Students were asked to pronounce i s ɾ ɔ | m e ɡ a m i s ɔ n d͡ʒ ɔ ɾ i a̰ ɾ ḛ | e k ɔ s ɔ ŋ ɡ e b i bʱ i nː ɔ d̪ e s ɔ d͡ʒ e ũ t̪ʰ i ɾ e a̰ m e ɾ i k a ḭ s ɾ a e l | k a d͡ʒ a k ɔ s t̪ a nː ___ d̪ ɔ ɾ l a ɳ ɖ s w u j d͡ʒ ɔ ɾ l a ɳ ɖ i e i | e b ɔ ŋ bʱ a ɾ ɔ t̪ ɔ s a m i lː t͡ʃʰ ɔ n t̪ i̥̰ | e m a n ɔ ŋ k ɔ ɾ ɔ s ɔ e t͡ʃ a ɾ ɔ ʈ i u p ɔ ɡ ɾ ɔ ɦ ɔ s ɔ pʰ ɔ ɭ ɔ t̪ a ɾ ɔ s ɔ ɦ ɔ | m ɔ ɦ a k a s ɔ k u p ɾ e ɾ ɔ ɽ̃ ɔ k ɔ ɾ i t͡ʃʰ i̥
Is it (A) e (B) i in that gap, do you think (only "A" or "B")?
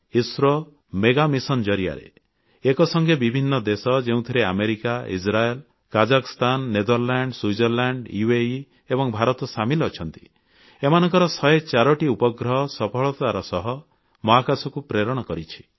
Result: A